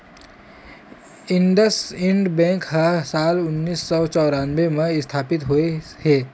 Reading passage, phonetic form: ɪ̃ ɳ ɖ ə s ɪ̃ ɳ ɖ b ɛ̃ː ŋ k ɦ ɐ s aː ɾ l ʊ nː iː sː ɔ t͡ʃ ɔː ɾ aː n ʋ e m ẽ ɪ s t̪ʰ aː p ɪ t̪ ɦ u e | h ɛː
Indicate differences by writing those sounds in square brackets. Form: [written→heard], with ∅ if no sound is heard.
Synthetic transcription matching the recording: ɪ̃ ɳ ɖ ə s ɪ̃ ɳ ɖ b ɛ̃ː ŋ k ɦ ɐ s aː [ɾ→∅] l ʊ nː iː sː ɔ t͡ʃ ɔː ɾ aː n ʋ e m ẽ ɪ s t̪ʰ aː p ɪ t̪ ɦ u e | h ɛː